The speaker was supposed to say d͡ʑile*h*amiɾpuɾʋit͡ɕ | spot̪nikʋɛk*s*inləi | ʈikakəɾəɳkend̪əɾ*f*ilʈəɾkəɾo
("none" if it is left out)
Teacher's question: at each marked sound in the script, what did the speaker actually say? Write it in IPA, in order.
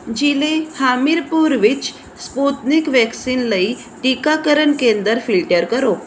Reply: h, s, f

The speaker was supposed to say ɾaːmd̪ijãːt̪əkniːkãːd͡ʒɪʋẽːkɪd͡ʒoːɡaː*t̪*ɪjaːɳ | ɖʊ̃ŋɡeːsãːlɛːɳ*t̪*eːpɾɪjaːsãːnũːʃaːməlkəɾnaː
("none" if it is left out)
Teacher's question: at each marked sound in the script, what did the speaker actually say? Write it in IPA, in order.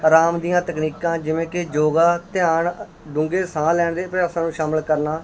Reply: t̪, d̪

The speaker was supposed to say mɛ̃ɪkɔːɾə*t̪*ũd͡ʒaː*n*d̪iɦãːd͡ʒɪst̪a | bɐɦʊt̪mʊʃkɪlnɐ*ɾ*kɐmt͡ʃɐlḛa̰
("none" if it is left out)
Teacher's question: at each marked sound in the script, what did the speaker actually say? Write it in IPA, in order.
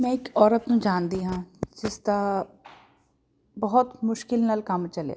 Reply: t̪, n, l

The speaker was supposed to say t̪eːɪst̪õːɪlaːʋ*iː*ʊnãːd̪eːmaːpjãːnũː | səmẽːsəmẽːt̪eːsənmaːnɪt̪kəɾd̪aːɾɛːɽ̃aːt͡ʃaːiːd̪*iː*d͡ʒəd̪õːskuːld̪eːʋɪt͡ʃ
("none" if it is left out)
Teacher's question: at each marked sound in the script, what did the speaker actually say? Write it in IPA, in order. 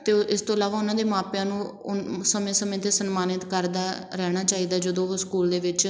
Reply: aː, aː

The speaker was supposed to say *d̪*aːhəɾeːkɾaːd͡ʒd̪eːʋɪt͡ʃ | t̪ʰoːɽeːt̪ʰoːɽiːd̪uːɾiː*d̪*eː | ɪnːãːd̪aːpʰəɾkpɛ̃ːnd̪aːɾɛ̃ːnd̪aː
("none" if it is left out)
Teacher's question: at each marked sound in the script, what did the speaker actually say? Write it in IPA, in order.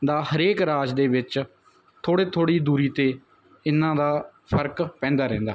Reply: d̪, t̪

